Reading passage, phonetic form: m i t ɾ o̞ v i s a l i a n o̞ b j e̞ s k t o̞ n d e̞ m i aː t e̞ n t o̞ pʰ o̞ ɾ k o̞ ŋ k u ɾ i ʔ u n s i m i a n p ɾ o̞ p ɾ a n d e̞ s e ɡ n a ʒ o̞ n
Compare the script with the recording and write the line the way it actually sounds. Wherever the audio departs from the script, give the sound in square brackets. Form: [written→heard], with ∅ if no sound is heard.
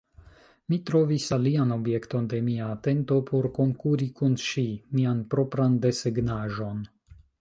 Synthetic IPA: m i t ɾ o̞ v i s a l i a n o̞ b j e̞ [s→∅] k t o̞ n d e̞ m i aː t e̞ n t o̞ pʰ o̞ ɾ k o̞ ŋ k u ɾ i [ʔ→k] u n [s→ʃ] i m i a n p ɾ o̞ p ɾ a n d e̞ s e ɡ n a ʒ o̞ n